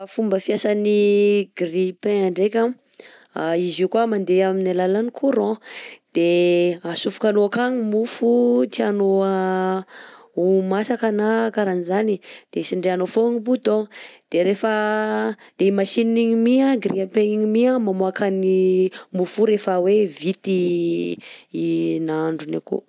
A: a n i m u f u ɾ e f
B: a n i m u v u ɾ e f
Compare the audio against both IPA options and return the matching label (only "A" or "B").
A